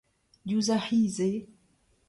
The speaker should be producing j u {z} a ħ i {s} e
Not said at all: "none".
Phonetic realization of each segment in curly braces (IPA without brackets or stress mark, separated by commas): z, z